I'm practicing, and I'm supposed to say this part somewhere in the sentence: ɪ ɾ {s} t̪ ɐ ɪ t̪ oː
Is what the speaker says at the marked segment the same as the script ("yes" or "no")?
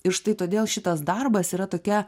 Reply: no